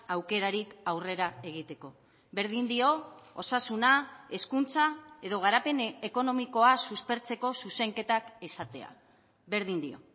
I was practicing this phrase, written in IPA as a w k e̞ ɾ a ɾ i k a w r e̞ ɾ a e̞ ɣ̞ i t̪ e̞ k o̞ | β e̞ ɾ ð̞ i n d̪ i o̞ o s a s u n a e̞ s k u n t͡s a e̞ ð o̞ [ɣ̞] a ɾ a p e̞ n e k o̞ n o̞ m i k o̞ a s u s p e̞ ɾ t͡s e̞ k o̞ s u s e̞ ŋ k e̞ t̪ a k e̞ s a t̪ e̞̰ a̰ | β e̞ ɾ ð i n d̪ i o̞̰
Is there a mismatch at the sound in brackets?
no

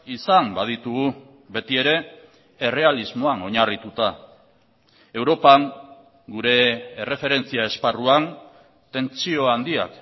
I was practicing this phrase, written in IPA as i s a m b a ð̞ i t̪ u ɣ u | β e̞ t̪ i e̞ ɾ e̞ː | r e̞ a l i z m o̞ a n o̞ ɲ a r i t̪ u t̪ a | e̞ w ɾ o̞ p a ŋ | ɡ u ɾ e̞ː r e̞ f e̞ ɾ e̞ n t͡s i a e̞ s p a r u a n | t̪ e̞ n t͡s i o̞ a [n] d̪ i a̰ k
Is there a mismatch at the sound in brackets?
no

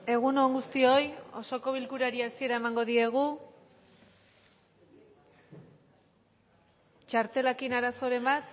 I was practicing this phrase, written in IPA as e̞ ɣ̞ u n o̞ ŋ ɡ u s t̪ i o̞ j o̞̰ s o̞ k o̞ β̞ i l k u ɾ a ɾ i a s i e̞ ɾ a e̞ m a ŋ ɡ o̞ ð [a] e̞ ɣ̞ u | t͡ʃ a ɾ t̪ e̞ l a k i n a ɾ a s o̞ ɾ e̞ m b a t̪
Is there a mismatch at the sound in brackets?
yes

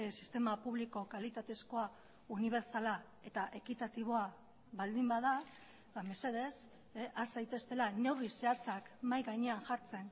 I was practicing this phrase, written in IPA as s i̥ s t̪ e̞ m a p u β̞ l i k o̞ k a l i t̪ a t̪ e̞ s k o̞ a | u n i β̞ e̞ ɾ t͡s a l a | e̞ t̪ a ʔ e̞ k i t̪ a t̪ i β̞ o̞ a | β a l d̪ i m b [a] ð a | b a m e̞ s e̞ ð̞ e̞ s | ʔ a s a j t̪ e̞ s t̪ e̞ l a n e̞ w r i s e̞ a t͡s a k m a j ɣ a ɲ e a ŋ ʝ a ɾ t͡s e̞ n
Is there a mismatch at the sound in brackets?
no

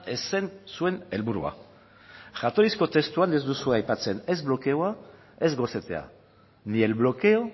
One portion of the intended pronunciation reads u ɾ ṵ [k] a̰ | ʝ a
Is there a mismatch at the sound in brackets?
yes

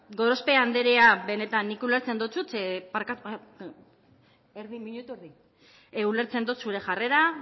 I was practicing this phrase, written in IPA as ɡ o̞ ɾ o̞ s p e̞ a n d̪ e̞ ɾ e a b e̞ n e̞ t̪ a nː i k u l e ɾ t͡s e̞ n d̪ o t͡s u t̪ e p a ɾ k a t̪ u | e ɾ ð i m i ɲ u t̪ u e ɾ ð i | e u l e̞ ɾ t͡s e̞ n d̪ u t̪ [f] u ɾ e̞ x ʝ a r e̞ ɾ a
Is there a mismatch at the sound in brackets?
yes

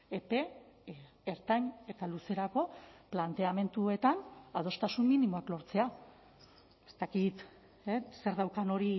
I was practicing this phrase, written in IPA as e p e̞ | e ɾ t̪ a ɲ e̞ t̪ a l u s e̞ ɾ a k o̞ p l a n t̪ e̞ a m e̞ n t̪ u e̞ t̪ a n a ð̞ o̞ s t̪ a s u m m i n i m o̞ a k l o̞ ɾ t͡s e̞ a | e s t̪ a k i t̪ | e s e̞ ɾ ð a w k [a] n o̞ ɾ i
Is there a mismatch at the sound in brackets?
no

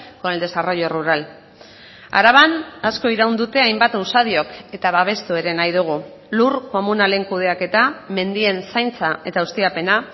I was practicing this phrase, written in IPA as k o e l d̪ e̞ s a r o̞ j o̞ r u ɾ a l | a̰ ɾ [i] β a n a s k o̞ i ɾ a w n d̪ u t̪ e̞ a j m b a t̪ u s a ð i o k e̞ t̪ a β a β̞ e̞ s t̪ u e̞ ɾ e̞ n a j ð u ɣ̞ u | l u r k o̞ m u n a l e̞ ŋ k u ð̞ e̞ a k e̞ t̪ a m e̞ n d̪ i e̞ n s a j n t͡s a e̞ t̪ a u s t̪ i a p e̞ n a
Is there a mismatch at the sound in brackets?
yes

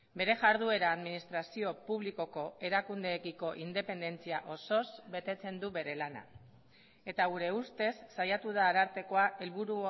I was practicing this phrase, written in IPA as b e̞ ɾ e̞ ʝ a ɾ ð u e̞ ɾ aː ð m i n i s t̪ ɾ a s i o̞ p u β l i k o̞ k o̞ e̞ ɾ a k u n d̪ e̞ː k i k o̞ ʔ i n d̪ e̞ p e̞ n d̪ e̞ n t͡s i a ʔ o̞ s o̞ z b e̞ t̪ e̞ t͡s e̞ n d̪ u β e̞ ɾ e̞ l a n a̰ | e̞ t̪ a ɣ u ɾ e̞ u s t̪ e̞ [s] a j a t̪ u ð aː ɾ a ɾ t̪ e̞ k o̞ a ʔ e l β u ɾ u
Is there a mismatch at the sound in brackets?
yes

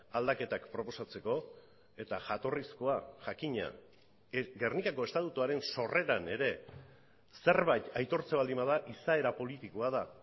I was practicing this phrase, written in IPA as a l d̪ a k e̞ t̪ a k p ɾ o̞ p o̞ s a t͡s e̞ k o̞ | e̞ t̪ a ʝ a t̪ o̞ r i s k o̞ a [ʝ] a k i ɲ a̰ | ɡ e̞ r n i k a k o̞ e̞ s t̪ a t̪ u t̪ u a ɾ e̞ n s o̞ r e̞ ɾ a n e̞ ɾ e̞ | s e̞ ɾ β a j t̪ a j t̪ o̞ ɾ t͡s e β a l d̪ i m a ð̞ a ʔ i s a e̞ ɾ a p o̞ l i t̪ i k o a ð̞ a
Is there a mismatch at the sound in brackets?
no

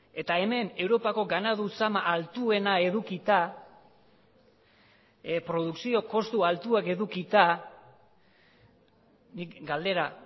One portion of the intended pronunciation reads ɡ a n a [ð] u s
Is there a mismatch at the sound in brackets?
no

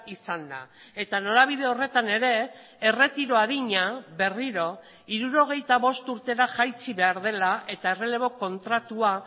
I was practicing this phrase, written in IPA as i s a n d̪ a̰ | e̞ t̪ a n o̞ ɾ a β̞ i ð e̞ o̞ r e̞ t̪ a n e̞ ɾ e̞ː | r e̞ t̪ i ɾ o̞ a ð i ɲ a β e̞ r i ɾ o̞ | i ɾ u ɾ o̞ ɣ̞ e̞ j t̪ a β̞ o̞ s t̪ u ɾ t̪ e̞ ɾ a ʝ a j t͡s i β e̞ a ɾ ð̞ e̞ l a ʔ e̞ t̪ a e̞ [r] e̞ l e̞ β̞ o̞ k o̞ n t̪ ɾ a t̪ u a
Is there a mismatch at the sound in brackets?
no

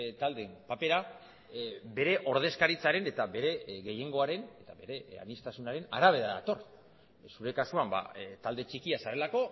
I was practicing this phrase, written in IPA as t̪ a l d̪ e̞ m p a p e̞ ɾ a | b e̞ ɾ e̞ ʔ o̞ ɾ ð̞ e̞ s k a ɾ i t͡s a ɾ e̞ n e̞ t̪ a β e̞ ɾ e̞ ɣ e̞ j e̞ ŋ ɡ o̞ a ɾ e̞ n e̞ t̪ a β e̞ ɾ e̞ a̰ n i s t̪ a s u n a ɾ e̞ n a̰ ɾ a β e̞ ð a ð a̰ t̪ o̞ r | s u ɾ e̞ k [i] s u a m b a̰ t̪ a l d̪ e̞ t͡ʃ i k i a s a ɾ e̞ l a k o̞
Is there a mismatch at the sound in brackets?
yes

